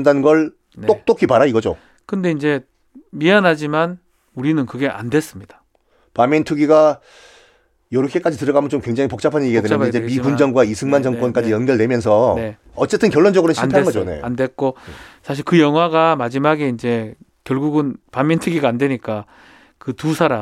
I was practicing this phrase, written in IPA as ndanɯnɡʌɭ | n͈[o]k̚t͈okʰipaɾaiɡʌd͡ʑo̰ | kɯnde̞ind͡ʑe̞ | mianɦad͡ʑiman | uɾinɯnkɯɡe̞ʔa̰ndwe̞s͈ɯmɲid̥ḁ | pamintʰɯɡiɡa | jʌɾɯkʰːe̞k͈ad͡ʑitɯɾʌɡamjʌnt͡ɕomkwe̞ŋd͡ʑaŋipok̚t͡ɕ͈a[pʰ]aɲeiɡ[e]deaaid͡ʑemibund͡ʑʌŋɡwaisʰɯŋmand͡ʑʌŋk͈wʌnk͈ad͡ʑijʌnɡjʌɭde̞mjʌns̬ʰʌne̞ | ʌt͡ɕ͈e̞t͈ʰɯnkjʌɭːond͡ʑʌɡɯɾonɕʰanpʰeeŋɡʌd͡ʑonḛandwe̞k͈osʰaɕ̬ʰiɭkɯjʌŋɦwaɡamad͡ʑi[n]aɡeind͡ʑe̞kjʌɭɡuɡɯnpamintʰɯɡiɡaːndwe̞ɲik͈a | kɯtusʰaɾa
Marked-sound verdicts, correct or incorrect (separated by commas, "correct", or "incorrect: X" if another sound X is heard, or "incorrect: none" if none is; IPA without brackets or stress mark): correct, correct, correct, incorrect: m